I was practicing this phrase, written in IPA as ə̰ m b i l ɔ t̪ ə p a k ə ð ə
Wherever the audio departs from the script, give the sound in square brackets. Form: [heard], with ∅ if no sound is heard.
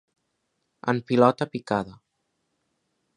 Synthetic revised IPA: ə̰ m [p] i l ɔ t̪ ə p [i] k [a] ð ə